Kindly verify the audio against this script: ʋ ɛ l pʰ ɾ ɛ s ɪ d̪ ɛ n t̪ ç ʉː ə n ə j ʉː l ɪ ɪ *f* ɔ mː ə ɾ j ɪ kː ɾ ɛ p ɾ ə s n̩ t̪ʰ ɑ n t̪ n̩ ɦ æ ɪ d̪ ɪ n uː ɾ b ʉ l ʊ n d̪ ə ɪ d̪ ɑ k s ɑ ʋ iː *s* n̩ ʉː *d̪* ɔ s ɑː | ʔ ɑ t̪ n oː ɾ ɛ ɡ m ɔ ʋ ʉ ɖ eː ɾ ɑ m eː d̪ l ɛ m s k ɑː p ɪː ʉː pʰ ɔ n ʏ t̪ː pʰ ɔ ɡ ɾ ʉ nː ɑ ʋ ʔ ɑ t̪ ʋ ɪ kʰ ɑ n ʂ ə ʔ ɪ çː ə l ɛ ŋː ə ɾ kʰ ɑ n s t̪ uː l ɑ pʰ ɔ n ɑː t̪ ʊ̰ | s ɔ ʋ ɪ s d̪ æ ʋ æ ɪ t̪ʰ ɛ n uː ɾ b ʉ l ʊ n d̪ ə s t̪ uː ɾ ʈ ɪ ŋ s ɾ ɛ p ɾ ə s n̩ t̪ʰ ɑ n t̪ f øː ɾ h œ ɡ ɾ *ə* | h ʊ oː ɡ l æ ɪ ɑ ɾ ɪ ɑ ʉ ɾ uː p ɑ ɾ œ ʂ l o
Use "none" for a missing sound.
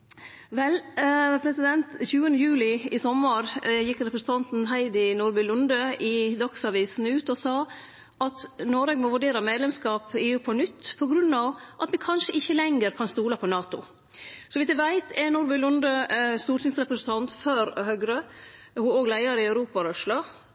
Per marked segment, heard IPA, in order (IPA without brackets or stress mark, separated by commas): s, s, t̪, ə